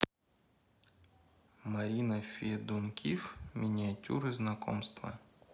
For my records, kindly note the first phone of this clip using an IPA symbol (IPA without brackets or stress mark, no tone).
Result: m